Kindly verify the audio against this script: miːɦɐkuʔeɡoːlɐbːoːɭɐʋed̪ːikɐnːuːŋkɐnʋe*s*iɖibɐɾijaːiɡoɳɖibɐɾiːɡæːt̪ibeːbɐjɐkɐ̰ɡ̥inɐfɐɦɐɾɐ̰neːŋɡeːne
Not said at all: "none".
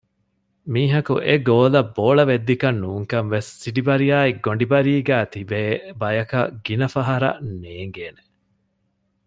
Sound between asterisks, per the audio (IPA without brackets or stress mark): sː